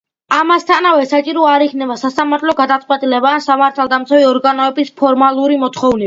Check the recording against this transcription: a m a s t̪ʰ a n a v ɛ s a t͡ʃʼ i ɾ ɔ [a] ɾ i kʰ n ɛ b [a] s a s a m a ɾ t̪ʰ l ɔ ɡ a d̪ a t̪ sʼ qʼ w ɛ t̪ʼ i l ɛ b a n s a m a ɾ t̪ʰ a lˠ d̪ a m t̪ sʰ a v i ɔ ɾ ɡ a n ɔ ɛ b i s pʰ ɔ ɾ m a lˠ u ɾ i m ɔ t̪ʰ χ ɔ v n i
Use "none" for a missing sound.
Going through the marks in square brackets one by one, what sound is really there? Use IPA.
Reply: a, a

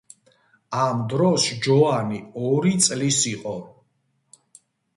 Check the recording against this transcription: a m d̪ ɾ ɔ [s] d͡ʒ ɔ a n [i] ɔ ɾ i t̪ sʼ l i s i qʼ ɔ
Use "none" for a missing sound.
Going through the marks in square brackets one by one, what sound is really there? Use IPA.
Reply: s, i

